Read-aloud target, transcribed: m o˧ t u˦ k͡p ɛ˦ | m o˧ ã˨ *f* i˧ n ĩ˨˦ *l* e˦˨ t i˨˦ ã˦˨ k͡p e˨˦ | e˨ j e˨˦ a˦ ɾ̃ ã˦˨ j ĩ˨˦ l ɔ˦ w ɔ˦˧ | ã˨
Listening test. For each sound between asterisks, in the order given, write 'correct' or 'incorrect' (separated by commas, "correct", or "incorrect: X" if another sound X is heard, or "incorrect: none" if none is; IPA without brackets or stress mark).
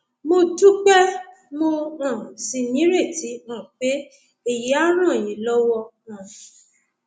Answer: incorrect: s, incorrect: ɾ